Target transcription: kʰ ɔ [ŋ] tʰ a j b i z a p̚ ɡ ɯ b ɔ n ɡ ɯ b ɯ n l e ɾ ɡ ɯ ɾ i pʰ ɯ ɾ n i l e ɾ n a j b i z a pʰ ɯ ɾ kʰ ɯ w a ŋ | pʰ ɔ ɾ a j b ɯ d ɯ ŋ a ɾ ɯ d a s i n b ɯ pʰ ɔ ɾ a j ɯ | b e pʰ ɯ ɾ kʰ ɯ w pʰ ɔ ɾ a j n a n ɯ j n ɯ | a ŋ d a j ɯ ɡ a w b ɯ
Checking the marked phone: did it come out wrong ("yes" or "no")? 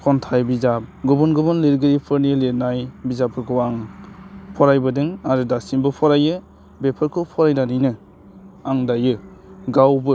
yes